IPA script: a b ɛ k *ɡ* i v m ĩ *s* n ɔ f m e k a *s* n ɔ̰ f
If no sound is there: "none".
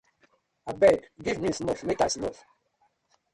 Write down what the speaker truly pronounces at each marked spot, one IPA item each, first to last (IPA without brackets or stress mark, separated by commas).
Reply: ɡ, s, s